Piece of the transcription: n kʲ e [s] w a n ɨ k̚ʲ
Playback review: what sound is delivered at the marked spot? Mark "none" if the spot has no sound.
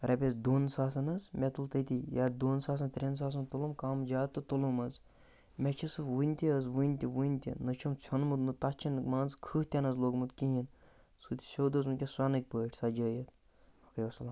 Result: s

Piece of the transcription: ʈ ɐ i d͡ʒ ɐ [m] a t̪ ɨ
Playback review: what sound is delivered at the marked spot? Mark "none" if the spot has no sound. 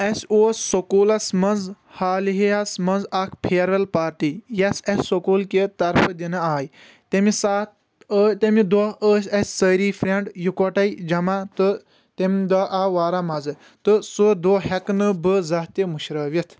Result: m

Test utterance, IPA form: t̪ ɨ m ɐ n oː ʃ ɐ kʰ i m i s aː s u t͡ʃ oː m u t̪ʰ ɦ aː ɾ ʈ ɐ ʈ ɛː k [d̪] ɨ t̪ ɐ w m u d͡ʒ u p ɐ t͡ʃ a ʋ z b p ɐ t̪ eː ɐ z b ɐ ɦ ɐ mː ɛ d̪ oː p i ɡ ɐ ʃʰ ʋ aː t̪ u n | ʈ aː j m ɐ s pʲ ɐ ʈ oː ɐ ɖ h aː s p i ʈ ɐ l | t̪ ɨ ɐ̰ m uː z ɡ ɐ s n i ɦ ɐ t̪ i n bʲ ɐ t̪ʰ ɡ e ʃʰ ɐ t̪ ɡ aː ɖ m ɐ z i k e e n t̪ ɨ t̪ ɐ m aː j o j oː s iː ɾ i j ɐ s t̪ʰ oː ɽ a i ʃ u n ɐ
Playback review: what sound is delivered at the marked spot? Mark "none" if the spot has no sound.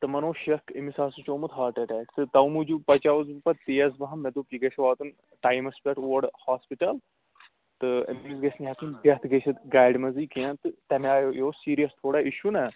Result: t̪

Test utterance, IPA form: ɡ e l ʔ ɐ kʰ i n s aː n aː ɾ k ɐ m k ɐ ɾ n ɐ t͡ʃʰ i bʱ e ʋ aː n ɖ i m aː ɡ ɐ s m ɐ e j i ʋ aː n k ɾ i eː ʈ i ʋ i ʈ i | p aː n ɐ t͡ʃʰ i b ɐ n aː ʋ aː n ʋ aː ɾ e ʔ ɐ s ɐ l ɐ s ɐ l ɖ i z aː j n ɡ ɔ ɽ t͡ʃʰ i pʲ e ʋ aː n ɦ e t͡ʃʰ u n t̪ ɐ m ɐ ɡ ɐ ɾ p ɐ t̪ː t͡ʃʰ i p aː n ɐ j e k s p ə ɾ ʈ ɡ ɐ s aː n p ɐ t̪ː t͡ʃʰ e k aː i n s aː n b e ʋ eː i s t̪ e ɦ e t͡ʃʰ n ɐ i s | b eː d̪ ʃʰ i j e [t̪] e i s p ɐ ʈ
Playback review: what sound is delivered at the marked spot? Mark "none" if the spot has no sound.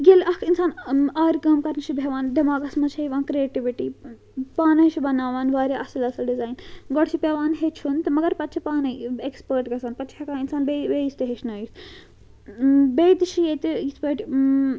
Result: t̪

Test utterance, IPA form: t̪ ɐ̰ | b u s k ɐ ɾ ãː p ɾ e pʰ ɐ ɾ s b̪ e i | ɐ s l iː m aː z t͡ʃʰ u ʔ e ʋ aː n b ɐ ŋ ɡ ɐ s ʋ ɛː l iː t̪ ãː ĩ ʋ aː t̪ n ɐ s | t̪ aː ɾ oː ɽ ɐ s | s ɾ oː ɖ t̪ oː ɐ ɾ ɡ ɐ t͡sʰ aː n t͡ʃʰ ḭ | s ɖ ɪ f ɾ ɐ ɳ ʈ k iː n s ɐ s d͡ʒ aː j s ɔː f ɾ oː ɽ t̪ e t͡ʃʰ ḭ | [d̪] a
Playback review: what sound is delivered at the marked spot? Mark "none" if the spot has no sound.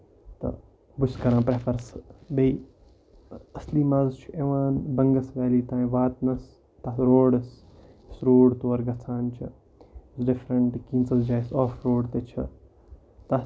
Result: t̪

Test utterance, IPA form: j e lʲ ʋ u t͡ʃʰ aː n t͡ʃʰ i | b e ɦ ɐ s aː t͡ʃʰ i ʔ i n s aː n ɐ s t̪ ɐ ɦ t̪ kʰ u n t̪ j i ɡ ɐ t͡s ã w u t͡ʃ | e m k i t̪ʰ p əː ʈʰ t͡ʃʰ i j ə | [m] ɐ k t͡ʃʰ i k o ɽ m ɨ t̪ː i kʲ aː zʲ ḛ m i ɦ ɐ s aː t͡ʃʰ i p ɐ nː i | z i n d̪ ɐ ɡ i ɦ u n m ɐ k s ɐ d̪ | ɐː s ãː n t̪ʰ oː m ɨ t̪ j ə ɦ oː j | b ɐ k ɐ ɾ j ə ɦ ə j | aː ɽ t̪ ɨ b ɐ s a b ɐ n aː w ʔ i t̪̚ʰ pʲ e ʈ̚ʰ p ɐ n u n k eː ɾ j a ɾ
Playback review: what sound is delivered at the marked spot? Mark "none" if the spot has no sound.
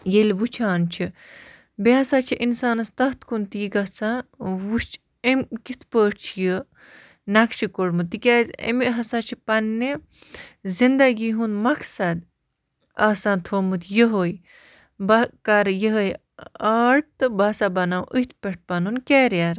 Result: n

